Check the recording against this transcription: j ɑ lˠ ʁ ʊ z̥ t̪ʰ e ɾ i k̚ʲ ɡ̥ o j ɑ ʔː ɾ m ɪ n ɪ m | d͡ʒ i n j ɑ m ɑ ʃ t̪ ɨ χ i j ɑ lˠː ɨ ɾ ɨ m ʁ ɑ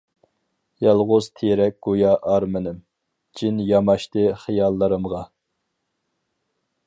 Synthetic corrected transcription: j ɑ lˠ ʁ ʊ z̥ t̪ʰ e ɾ ɛ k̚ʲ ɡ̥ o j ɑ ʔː ɾ m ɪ n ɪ m | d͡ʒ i n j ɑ m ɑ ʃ t̪ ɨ χ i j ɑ lˠː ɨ ɾ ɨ m ʁ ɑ

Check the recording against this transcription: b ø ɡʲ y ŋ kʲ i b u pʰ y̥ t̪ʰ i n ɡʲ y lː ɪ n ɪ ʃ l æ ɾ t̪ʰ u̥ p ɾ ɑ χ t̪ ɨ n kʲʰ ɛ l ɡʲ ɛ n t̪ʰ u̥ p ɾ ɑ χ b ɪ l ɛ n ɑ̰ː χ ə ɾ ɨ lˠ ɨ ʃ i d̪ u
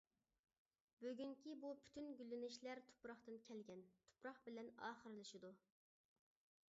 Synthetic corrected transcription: b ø ɡʲ y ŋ kʲ i b u pʰ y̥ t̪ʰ y n ɡʲ y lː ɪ n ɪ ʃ l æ ɾ t̪ʰ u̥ p ɾ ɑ χ t̪ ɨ n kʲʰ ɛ l ɡʲ ɛ n t̪ʰ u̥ p ɾ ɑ χ b ɪ l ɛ n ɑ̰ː χ ə ɾ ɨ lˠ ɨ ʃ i d̪ u

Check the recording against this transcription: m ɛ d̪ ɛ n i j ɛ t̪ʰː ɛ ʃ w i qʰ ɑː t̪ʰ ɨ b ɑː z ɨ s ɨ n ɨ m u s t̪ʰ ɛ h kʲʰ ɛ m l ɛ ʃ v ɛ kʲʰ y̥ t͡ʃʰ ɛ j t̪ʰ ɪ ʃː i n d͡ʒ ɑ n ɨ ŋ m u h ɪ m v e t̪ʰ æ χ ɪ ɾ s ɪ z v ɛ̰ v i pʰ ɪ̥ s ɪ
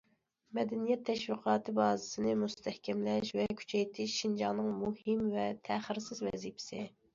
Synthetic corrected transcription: m ɛ d̪ ɛ n i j ɛ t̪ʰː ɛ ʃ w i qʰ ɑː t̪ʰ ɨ b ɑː z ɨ s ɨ n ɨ m u s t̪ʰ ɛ h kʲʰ ɛ m l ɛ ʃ v ɛ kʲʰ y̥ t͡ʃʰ ɛ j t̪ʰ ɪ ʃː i n d͡ʒ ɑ n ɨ ŋ m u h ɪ m v ɛ t̪ʰ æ χ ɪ ɾ s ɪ z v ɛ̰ z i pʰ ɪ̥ s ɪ

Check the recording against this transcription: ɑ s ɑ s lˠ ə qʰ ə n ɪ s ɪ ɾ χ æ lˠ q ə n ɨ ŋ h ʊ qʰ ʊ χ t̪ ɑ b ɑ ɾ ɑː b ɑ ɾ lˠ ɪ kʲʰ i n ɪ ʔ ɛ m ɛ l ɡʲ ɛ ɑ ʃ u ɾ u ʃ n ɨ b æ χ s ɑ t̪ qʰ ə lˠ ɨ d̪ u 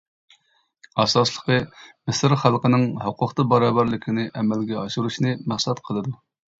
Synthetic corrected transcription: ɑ s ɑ s lˠ ə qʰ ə m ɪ s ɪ ɾ χ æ lˠ q ə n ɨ ŋ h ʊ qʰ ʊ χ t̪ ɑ b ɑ ɾ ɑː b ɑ ɾ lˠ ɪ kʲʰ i n ɪ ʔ ɛ m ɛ l ɡʲ ɛ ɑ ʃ u ɾ u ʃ n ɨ m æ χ s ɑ t̪ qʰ ə lˠ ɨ d̪ u

